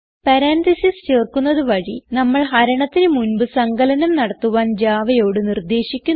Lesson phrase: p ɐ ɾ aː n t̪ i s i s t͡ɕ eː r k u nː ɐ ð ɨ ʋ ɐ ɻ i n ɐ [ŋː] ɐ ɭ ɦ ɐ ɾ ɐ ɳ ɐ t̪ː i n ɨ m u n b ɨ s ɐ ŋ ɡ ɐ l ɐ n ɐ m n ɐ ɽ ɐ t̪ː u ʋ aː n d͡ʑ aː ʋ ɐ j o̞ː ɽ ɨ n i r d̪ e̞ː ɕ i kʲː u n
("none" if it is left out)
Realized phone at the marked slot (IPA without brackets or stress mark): mː